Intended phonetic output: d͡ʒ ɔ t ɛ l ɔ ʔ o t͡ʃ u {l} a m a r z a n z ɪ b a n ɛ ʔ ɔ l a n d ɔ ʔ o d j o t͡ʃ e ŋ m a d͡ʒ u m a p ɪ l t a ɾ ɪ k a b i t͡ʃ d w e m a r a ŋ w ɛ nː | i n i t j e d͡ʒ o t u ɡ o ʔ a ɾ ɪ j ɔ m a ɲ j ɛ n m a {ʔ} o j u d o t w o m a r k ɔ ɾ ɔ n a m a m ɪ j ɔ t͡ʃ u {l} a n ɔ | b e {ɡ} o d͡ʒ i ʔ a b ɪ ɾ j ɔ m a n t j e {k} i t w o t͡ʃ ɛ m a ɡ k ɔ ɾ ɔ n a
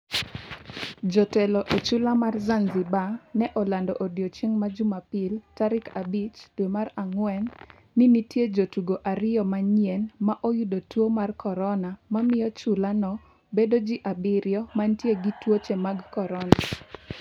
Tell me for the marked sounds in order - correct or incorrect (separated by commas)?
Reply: correct, correct, correct, incorrect, incorrect